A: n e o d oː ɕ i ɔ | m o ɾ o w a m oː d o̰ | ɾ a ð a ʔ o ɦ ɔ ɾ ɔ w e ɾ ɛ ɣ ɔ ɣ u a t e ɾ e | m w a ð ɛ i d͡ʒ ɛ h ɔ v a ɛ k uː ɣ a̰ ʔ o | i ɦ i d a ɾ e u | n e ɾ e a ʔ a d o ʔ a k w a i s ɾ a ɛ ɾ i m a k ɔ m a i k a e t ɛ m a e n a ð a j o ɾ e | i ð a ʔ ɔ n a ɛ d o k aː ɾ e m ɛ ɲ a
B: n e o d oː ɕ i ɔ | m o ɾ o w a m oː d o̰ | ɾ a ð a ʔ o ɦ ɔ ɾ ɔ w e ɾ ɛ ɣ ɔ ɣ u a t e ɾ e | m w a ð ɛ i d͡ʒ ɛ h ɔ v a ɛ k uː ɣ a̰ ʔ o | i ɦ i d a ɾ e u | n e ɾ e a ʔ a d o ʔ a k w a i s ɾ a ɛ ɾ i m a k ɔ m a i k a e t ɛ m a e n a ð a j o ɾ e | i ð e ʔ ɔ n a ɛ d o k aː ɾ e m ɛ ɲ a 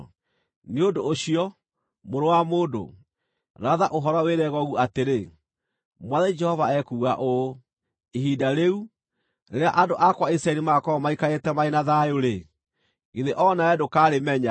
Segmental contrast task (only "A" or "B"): B